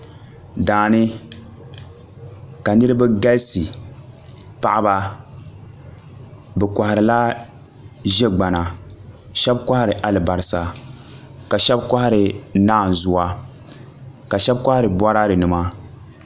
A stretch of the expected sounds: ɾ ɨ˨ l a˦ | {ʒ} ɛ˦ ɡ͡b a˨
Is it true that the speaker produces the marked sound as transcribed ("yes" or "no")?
yes